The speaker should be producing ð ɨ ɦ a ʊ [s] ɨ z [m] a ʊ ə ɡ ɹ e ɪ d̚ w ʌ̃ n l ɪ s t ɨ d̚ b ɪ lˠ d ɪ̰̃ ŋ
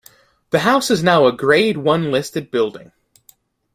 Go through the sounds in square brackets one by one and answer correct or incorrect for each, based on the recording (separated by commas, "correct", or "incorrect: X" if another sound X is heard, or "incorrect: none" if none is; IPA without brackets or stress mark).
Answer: correct, incorrect: n